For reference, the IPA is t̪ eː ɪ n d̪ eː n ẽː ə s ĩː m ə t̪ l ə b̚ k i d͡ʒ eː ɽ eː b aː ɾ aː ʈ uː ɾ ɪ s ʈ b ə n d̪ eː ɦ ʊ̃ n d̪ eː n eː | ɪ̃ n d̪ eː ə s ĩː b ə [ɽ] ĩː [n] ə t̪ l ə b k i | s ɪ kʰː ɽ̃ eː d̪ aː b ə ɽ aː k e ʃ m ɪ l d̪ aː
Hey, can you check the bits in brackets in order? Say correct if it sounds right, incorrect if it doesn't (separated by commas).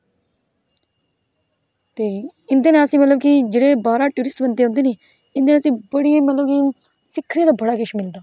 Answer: correct, incorrect